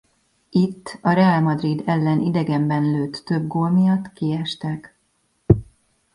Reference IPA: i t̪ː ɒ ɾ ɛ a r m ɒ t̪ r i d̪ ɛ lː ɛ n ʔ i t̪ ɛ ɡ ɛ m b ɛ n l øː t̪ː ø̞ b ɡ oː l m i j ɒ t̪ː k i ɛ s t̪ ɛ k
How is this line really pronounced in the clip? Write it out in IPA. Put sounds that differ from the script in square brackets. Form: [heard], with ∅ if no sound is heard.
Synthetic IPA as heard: i t̪ː ɒ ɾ ɛ a [l] m ɒ [d̪] r i d̪ ɛ lː ɛ n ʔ i [d̪] ɛ ɡ ɛ m b ɛ n l øː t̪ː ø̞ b ɡ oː l m i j ɒ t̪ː k i ɛ [ʃ] t̪ ɛ k

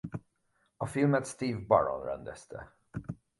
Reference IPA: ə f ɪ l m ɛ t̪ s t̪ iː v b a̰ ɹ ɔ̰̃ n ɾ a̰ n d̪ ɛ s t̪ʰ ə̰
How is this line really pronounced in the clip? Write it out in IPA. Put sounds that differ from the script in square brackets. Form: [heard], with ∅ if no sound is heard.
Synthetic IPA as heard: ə f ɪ l m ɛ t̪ s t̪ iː v b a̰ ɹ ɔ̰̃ n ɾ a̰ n d̪ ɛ s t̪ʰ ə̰

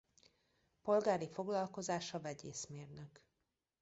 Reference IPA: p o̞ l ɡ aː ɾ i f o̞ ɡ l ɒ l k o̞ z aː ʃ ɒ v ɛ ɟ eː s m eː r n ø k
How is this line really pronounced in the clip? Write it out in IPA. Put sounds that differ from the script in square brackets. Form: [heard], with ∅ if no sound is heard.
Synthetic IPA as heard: p o̞ l ɡ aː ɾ i f o̞ ɡ l ɒ l k o̞ z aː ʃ ɒ v ɛ ɟ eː s m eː r n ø k

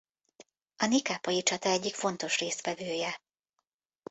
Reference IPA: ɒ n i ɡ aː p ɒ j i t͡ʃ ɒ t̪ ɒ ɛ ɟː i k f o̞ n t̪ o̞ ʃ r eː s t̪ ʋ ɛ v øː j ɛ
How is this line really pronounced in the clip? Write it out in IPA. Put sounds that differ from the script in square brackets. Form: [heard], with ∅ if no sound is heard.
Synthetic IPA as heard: ɒ n i [k] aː p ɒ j i t͡ʃ ɒ t̪ ɒ ɛ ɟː i k f o̞ n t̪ o̞ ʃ r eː s t̪ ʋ ɛ v øː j ɛ

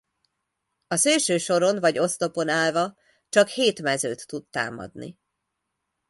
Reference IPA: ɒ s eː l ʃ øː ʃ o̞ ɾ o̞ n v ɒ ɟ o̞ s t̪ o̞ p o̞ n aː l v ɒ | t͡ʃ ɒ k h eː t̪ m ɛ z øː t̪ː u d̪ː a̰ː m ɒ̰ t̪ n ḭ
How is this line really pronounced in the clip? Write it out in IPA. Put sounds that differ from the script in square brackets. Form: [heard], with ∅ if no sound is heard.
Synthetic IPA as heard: ɒ s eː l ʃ øː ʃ o̞ ɾ o̞ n v ɒ ɟ o̞ s t̪ o̞ p o̞ n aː l v ɒ | t͡ʃ ɒ k h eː t̪ m ɛ z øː t̪ː u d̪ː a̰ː m ɒ̰ [d̪] n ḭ

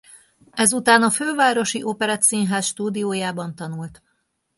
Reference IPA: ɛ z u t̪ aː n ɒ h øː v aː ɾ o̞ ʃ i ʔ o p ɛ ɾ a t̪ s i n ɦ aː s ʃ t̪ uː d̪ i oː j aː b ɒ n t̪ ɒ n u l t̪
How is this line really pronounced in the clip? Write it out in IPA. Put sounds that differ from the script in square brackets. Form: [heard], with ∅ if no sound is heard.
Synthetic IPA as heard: ɛ z u t̪ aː n ɒ [f] øː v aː ɾ o̞ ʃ i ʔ o p ɛ ɾ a t̪ s i n ɦ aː s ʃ t̪ uː d̪ i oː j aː b ɒ n t̪ ɒ n u l t̪

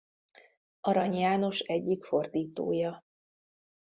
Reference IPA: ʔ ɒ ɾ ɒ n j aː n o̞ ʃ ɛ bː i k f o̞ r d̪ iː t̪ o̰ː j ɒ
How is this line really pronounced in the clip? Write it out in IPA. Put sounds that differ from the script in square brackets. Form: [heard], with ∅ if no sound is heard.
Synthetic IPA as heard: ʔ ɒ ɾ ɒ [ɲ] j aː n o̞ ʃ ɛ [ɟː] i k f o̞ r d̪ iː t̪ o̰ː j ɒ

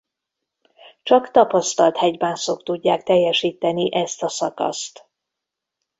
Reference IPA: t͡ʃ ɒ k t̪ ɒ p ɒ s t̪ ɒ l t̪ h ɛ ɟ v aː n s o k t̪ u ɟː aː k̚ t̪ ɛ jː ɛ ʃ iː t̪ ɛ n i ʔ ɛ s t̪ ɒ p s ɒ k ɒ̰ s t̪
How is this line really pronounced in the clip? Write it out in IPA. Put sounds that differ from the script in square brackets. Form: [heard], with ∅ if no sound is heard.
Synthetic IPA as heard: t͡ʃ ɒ k t̪ ɒ p ɒ s t̪ ɒ l t̪ h ɛ ɟ [b] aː n s o k t̪ u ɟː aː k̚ t̪ ɛ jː ɛ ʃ iː t̪ ɛ n i ʔ ɛ s t̪ ɒ [∅] s ɒ k ɒ̰ s t̪

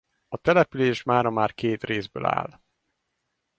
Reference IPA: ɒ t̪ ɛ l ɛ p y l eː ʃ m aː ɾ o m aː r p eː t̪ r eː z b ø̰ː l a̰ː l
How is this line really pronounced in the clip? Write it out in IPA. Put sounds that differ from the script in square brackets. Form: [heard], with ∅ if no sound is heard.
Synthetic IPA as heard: ɒ t̪ ɛ l ɛ p y l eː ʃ m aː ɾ [ɒ] m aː r [k] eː t̪ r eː z b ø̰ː l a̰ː l

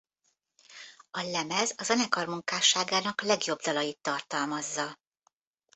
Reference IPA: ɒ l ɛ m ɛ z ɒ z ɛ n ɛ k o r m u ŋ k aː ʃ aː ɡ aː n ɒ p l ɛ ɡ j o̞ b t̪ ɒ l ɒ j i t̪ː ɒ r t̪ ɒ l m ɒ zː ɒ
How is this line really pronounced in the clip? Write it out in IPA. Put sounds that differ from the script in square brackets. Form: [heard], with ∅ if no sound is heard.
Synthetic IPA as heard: ɒ l ɛ m ɛ z ɒ z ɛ n ɛ k [ɒ] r m u ŋ k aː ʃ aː ɡ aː n ɒ [k] l ɛ ɡ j o̞ b [d̪] ɒ l ɒ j i t̪ː ɒ r t̪ ɒ l m ɒ zː ɒ

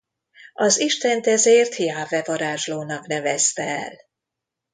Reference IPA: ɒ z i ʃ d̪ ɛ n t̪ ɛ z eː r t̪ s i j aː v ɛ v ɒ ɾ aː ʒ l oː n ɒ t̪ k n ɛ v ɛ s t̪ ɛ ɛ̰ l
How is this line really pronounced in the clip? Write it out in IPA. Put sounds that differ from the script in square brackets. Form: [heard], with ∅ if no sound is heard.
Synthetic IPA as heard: ɒ z i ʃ [t̪] ɛ n t̪ ɛ z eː r t̪ [h] i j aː v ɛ v ɒ ɾ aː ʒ l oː n ɒ [∅] k n ɛ v ɛ s t̪ ɛ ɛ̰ l

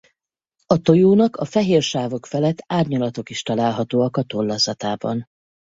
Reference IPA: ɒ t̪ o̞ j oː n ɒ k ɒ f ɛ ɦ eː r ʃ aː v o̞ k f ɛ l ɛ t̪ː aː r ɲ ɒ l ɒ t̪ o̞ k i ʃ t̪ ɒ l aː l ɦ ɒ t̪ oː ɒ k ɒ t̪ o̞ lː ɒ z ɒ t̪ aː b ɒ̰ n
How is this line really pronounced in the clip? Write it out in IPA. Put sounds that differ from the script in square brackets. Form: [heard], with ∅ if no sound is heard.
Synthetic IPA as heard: ɒ t̪ o̞ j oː n ɒ k ɒ f ɛ ɦ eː r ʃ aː v o̞ k f ɛ l ɛ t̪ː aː r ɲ ɒ l ɒ t̪ o̞ k i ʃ t̪ ɒ l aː l ɦ ɒ t̪ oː ɒ k ɒ t̪ o̞ lː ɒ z ɒ t̪ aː b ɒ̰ n

